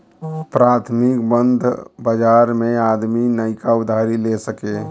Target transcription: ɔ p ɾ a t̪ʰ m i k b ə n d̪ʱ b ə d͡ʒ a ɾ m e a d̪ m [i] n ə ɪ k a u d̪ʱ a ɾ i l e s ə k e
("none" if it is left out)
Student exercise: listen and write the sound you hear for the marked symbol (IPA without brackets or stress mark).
i